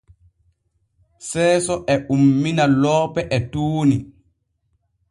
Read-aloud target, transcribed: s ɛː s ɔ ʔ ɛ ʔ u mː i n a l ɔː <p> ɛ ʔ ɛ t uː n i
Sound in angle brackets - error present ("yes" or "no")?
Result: no